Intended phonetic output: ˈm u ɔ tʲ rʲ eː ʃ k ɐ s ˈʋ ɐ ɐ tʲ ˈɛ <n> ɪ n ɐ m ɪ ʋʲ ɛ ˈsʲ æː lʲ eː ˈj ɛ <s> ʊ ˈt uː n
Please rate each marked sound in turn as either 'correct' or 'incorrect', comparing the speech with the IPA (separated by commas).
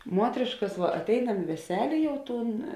incorrect, incorrect